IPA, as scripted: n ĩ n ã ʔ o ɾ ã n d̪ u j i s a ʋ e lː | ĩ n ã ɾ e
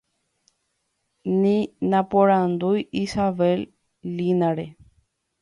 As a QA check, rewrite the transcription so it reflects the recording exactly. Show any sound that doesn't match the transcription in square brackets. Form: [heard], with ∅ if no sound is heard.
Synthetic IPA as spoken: n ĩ n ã [p] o ɾ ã n d̪ u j i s a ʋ e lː | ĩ n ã ɾ e